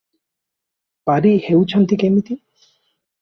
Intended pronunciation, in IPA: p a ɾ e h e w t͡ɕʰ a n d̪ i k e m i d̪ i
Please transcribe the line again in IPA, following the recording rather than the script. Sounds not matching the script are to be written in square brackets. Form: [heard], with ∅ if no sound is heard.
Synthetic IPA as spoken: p a ɾ [i] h e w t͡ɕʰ a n [t̪] i k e m i [t̪] i